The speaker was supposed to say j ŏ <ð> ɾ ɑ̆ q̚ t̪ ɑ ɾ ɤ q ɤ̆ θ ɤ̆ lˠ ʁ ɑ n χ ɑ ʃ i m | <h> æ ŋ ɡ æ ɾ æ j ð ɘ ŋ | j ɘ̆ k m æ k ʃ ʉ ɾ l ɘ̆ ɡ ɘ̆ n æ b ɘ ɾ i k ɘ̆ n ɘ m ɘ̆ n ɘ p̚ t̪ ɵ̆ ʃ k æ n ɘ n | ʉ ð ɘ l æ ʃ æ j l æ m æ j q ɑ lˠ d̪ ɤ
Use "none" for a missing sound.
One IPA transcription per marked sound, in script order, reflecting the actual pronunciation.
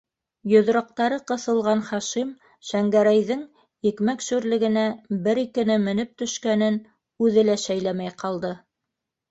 ð, ʃ

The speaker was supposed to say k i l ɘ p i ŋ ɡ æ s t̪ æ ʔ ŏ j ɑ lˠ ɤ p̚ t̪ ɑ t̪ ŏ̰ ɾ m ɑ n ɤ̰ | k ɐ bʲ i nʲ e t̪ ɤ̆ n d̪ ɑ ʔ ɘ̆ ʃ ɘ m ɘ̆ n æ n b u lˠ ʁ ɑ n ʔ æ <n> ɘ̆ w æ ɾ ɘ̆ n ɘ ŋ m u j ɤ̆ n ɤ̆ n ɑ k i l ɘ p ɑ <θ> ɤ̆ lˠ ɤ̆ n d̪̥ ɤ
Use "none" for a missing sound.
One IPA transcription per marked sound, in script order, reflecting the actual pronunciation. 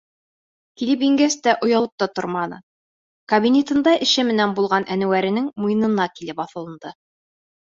n, θ

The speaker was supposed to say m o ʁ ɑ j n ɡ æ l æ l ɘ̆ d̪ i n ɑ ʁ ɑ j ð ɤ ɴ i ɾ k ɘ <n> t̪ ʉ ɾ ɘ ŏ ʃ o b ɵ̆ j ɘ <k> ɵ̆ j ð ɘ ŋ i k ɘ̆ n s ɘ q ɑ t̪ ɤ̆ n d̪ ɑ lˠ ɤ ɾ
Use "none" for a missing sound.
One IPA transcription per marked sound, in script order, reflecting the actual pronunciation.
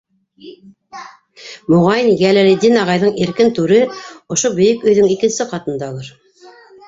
n, k

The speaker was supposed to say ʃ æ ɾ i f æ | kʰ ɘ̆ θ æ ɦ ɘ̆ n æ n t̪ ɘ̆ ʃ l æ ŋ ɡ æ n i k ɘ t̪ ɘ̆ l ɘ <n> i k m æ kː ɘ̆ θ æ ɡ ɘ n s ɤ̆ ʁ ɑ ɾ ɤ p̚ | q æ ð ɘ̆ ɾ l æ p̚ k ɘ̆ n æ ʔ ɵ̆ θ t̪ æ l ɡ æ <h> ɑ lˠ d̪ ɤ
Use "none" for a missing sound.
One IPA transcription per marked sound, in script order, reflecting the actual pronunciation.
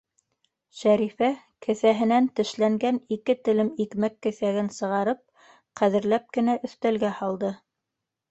m, h

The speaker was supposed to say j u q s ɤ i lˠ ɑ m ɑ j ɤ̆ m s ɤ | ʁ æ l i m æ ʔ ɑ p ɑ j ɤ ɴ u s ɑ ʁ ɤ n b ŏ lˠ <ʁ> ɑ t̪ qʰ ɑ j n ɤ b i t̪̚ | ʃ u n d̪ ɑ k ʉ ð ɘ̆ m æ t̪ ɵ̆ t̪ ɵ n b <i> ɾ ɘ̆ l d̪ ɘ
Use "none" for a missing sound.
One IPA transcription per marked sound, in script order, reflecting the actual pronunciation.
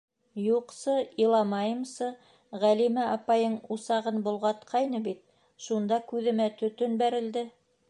ʁ, æ

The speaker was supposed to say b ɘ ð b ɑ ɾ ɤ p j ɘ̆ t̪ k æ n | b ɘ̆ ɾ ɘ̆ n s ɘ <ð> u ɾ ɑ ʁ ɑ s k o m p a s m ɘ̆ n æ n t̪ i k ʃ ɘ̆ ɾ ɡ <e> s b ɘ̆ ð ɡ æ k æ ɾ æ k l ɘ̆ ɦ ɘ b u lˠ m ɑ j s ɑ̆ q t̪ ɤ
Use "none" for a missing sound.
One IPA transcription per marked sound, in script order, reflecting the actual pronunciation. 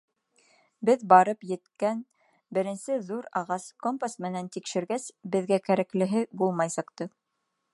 ð, æ

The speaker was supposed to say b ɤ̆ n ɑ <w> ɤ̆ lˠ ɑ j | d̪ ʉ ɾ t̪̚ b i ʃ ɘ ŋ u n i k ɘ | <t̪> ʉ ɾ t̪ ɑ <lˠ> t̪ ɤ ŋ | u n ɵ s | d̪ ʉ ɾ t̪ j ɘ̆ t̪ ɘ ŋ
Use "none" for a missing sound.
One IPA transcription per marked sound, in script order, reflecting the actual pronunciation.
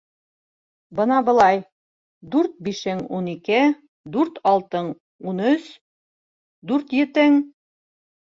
b, d̪, lˠ

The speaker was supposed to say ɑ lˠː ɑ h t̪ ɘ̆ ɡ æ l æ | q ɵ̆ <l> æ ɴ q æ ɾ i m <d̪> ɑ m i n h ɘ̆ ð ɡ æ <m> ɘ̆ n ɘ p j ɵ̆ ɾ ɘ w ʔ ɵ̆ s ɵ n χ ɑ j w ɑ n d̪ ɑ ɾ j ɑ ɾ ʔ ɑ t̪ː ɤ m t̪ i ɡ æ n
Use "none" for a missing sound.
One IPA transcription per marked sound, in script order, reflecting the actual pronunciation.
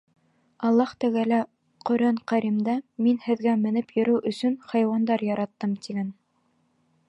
ɾ, d̪, m

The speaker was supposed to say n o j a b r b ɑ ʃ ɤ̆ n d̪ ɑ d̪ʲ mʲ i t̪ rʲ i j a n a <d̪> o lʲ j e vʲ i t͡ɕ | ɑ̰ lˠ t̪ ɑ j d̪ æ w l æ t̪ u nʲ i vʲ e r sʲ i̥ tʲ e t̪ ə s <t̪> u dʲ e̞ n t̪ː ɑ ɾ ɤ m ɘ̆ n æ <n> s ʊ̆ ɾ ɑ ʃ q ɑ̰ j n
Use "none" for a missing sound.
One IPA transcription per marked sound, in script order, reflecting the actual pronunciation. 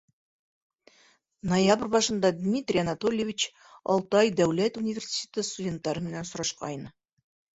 t̪, t̪, n

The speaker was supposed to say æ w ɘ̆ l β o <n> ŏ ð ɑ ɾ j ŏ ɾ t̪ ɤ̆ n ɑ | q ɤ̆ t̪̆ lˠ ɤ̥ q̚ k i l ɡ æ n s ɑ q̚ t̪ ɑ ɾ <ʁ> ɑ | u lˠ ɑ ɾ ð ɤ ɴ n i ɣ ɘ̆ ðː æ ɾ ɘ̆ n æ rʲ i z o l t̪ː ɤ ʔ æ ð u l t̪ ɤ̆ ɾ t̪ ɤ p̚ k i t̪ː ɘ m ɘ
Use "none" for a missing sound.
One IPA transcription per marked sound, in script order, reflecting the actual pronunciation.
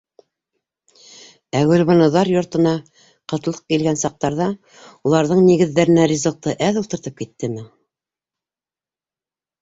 n, ð

